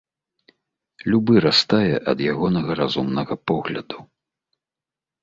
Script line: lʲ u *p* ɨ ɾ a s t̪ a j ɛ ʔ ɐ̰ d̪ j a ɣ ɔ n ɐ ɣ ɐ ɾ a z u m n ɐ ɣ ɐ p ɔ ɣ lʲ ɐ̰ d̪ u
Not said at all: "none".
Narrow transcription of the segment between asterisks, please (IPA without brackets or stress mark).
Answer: b